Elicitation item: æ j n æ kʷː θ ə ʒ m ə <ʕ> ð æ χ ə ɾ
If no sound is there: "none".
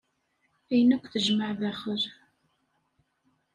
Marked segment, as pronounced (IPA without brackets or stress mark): ʕ